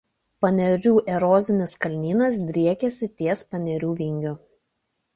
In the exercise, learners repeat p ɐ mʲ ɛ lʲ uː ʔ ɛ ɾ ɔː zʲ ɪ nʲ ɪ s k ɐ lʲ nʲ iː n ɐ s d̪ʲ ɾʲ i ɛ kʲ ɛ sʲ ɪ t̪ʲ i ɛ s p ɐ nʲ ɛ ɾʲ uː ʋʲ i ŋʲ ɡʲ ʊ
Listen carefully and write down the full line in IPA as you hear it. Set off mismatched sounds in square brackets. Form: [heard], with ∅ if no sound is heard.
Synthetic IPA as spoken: p ɐ [nʲ] ɛ [ɾʲ] uː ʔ ɛ ɾ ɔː zʲ ɪ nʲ ɪ s k ɐ lʲ nʲ iː n ɐ s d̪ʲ ɾʲ i ɛ kʲ ɛ sʲ ɪ t̪ʲ i ɛ s p ɐ nʲ ɛ ɾʲ uː ʋʲ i ŋʲ ɡʲ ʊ